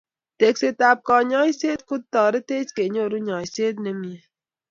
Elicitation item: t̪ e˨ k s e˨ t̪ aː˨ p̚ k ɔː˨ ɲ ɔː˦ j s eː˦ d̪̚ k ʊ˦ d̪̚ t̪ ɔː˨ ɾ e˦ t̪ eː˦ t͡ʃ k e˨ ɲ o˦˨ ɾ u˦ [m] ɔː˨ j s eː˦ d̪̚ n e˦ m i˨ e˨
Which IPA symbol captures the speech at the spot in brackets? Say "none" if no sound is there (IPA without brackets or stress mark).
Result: ɲ